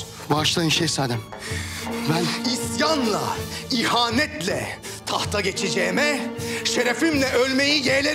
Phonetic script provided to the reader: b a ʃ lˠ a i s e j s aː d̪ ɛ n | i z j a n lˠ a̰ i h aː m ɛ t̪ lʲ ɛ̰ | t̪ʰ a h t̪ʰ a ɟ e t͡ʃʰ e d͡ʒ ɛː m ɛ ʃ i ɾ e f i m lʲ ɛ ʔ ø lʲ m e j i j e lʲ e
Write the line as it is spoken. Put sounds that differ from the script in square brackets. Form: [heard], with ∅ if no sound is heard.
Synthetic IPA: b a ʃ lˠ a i [ʃ] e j s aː d̪ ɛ [m] | i [s] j a n lˠ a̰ i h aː [n] ɛ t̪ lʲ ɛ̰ | t̪ʰ a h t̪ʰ a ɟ e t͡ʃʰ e d͡ʒ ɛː m ɛ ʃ [e] ɾ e f i m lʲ ɛ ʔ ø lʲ m e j i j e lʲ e